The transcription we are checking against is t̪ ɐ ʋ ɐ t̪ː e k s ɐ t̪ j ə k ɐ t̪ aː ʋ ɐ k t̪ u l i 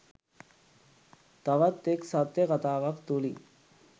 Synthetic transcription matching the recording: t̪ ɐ ʋ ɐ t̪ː e k s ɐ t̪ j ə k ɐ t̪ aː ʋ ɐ k t̪ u l i